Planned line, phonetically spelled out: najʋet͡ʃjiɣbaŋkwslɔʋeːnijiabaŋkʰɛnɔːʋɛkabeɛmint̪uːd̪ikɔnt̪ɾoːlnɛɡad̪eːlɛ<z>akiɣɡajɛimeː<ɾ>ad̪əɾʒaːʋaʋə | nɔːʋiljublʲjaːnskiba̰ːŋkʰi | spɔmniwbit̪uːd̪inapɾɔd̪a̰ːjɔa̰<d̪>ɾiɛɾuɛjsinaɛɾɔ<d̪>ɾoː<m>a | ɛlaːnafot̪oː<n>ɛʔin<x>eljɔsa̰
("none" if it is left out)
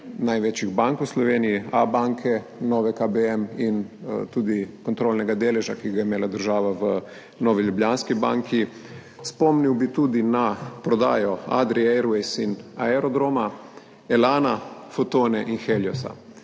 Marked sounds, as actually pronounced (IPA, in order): ʒ, l, d̪, d̪, m, n, x

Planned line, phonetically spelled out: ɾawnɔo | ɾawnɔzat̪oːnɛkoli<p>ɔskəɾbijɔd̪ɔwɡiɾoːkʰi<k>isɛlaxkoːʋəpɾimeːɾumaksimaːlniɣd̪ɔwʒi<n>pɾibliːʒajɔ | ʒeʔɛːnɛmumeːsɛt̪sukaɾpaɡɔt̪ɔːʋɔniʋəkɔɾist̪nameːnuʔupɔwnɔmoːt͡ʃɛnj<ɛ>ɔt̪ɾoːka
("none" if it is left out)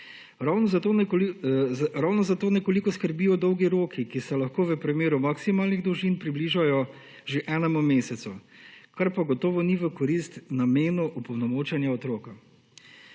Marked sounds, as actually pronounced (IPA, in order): k, k, n, a

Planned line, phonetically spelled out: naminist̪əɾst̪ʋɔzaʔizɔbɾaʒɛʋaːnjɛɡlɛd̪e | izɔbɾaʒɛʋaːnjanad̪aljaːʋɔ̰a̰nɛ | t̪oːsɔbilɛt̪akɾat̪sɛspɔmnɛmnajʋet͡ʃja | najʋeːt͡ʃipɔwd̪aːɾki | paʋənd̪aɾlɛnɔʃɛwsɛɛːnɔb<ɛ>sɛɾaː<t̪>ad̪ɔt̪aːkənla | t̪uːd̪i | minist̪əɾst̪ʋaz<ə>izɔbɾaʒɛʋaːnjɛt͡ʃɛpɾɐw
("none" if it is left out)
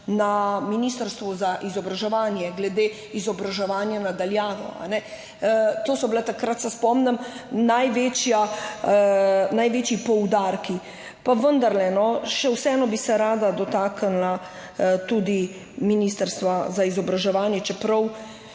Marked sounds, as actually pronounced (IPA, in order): i, d̪, a

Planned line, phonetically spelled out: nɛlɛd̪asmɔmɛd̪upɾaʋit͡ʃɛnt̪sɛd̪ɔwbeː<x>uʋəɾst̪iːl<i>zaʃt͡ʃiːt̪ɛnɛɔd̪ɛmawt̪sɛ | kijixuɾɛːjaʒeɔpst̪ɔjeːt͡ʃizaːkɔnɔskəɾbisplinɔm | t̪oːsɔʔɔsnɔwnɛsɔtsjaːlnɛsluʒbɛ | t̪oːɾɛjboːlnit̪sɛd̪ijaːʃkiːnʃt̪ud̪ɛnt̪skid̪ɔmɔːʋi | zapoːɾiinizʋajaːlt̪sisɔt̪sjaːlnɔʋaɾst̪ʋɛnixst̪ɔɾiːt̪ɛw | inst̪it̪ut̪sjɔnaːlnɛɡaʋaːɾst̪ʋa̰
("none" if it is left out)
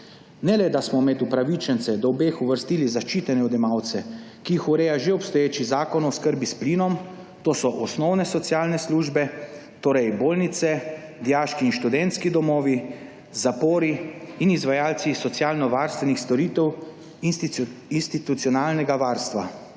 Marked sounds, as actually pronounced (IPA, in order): x, i

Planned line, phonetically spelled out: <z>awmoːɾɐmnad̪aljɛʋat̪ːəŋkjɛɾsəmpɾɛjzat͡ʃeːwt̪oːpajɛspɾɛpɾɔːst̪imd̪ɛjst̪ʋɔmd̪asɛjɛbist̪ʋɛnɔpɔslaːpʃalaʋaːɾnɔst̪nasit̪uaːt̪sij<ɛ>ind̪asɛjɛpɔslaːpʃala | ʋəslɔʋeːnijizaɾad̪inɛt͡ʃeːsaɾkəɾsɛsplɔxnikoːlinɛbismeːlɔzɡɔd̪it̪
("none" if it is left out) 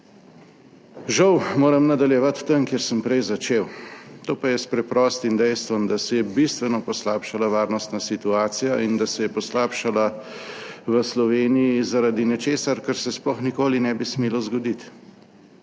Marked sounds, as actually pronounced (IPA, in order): ʒ, a

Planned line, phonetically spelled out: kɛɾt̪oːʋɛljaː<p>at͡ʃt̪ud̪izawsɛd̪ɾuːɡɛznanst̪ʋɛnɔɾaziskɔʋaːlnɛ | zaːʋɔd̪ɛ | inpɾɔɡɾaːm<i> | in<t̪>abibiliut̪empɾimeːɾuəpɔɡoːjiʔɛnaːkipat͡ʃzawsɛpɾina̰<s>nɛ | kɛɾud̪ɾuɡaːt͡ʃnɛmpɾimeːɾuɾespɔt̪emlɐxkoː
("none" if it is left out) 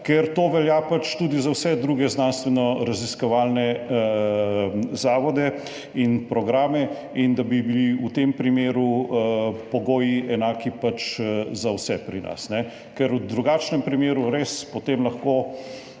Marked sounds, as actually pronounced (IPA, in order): p, ɛ, d̪, s

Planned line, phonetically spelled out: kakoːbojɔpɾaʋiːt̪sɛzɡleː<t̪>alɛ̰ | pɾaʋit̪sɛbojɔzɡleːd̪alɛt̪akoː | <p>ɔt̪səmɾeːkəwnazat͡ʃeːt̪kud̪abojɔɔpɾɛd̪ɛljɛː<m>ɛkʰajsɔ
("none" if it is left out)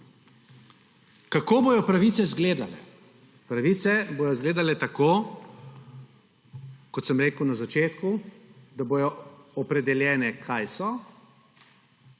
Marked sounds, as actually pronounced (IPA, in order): d̪, k, n

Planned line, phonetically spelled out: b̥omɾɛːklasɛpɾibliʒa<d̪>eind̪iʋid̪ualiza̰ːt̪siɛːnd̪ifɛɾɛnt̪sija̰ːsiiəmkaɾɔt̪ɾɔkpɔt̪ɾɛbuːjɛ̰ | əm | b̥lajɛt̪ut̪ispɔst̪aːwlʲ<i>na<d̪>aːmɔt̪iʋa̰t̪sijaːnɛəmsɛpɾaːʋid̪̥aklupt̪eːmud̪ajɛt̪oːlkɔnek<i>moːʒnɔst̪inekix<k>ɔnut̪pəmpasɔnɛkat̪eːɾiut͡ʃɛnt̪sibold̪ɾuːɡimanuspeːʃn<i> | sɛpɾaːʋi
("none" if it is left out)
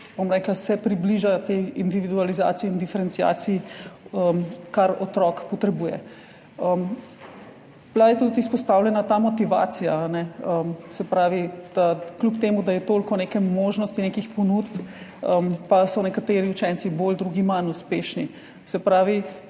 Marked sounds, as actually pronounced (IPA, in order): t̪, ɛ, t̪, ɛ, p, i

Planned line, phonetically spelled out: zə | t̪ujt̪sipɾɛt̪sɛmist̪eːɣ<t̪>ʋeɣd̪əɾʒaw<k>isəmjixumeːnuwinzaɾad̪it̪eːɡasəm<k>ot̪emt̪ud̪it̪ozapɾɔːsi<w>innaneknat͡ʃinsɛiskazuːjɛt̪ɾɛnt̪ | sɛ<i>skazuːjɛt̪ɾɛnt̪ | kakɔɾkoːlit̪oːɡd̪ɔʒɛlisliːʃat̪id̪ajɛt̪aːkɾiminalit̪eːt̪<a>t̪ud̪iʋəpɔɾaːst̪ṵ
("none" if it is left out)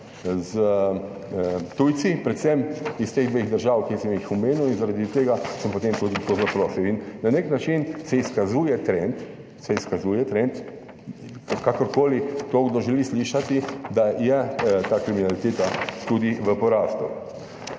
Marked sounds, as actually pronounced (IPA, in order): d̪, k, p, w, i, a

